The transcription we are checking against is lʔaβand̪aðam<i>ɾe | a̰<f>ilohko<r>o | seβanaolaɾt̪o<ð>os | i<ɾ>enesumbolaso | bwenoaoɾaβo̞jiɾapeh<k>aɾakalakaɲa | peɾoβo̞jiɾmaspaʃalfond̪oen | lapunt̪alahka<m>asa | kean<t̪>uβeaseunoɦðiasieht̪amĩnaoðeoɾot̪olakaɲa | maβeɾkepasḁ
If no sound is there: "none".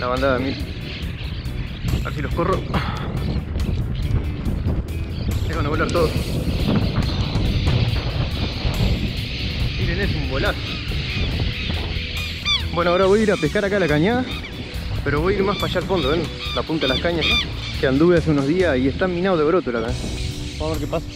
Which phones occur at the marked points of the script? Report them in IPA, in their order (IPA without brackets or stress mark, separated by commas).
i, s, r, ð, ɾ, k, ɲ, d̪